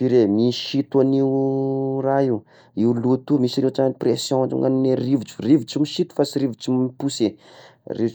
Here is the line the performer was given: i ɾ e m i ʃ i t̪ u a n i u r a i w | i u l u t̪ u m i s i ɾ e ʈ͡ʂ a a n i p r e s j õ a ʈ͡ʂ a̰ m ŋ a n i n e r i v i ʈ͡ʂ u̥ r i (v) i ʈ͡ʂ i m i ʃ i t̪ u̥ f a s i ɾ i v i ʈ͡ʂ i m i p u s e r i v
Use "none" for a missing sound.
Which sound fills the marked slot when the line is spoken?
v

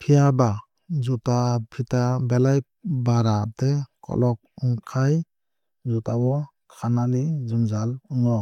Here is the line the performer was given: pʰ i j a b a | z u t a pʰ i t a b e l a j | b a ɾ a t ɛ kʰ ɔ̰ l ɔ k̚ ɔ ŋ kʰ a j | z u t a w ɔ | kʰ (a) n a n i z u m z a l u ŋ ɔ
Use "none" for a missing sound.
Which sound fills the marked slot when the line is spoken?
a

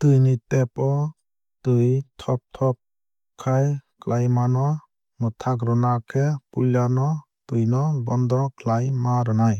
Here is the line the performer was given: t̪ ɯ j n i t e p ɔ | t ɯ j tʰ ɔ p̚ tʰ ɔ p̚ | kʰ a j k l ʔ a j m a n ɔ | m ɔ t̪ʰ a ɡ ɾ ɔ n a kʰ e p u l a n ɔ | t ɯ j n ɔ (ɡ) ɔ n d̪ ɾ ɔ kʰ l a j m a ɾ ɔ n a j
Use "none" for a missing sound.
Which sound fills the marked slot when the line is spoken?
b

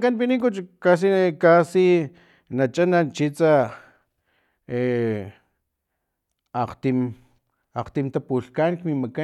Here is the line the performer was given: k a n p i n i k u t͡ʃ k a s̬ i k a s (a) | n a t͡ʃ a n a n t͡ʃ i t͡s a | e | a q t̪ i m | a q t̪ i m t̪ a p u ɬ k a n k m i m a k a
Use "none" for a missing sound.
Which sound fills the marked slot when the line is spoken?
i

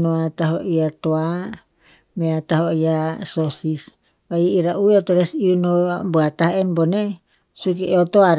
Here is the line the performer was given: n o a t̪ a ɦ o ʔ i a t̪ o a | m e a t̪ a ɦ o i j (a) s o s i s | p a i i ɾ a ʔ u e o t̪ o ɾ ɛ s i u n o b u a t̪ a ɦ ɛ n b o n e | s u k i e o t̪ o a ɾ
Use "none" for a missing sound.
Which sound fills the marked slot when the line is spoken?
a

